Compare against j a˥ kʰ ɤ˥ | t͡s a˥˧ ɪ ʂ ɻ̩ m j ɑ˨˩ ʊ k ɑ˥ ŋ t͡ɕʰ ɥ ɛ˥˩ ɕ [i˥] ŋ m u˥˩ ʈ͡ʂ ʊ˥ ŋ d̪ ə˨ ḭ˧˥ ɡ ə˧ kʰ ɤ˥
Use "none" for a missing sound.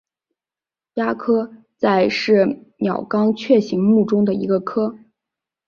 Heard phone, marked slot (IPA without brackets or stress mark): i˧˥